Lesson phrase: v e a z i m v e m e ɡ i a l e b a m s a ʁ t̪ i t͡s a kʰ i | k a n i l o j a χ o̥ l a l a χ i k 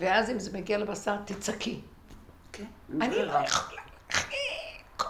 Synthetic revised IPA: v e a z i m z e m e ɡ i a l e b a s a ʁ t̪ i t͡s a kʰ i | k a n i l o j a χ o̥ l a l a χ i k